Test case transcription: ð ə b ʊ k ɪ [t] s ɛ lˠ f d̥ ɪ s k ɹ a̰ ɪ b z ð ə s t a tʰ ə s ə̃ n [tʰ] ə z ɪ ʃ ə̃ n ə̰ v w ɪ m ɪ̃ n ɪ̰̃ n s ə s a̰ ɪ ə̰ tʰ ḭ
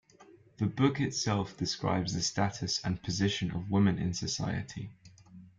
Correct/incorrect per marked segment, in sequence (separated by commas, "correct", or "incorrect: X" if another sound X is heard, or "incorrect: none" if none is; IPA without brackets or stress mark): correct, incorrect: pʰ